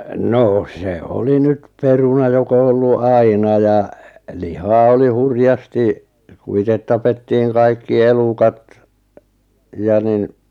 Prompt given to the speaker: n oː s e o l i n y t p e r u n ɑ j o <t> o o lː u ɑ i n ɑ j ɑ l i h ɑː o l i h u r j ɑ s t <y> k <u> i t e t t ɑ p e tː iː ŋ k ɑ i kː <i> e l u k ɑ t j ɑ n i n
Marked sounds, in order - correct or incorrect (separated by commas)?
incorrect, incorrect, correct, correct